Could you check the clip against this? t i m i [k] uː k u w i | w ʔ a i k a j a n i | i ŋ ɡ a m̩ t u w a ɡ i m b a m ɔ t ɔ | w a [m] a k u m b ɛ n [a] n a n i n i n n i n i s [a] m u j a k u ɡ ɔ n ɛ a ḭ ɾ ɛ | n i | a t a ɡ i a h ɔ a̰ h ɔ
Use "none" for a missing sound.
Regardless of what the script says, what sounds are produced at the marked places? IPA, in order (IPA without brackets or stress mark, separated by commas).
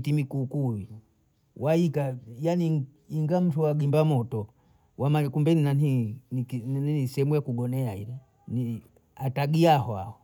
k, m, i, ɛ